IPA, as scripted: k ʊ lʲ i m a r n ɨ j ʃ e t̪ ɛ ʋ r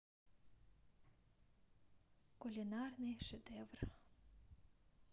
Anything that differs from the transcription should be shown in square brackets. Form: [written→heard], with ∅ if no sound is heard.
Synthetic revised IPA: k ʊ lʲ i [m→n] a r n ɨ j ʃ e [t̪→d̪] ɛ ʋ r